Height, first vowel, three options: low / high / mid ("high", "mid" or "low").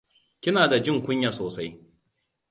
high